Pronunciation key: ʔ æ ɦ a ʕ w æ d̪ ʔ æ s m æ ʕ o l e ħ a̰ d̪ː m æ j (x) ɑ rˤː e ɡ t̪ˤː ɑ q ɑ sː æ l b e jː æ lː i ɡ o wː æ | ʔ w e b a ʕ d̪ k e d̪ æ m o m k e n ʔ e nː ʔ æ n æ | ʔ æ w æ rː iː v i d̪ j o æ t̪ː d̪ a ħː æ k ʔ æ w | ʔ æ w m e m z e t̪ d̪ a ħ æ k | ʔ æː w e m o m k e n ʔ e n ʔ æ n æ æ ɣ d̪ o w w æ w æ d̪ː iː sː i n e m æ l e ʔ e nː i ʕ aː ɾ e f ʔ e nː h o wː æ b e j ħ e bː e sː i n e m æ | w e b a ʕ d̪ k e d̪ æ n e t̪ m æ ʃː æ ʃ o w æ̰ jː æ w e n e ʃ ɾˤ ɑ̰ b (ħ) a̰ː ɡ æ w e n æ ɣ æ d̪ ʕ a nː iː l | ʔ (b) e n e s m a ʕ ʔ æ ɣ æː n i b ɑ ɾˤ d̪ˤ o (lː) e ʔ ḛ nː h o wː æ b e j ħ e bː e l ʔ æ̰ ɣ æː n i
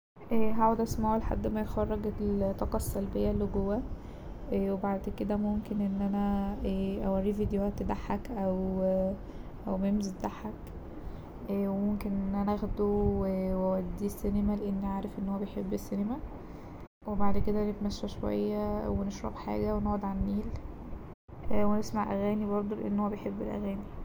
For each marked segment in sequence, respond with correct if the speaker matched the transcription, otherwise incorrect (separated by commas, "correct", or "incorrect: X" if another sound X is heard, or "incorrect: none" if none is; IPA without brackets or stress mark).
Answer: correct, correct, incorrect: w, incorrect: l